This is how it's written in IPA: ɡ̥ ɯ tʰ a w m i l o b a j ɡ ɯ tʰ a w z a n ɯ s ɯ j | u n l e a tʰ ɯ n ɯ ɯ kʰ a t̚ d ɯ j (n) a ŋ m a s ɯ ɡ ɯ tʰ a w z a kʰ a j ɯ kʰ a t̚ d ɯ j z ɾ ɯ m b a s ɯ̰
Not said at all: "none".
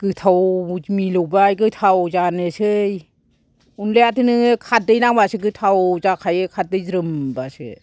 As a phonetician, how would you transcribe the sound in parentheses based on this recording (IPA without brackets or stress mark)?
n